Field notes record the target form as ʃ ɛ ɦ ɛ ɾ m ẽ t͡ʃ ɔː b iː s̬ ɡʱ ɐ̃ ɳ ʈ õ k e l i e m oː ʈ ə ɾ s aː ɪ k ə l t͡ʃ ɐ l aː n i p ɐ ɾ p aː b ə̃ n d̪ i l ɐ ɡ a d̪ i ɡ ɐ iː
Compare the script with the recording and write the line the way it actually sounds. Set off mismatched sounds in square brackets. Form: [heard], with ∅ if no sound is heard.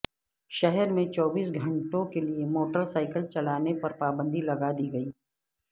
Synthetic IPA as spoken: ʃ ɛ ɦ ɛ ɾ m ẽ t͡ʃ ɔː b iː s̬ ɡʱ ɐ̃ ɳ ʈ õ k e l i e m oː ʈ ə ɾ s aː ɪ k ə l t͡ʃ ɐ l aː n [e] p ɐ ɾ p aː b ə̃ n d̪ i l ɐ ɡ a d̪ i ɡ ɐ iː